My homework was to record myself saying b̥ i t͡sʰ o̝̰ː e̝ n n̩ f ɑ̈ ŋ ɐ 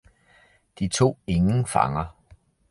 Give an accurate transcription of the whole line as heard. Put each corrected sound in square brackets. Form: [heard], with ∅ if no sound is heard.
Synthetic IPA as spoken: [d̥] i t͡sʰ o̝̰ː e̝ [ŋ] n̩ f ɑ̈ ŋ ɐ